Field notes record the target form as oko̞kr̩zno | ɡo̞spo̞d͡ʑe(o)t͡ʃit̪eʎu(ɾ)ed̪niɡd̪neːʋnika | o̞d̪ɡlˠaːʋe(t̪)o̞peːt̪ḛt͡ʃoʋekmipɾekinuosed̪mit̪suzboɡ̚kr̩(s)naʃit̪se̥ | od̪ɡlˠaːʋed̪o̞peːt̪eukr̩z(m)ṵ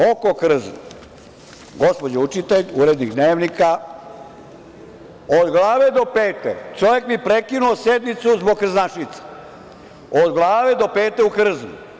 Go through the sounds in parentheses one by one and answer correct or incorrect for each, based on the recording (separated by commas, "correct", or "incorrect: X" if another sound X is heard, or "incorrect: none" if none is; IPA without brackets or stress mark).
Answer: incorrect: u, correct, incorrect: d̪, incorrect: z, incorrect: n